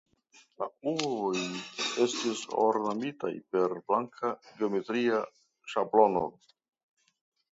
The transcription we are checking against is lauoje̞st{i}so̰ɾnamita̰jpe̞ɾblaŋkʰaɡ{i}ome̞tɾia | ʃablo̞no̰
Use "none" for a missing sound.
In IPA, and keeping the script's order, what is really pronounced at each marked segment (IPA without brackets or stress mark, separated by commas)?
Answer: i, e